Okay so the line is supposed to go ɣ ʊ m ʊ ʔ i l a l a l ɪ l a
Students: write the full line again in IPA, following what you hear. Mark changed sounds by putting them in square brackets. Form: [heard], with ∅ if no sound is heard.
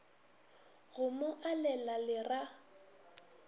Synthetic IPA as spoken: ɣ ʊ m ʊ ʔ [a] l [ɛ] l a l ɪ [r] a